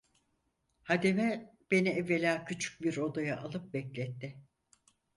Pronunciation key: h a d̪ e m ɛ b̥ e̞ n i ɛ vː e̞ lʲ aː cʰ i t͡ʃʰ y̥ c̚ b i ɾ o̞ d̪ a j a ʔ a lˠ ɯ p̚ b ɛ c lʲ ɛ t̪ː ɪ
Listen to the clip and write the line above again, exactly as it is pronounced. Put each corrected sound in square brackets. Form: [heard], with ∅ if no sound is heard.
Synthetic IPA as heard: h a d̪ e m ɛ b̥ e̞ n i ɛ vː e̞ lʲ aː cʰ [y] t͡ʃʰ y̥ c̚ b i ɾ o̞ d̪ a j a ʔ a lˠ ɯ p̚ b ɛ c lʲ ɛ t̪ː ɪ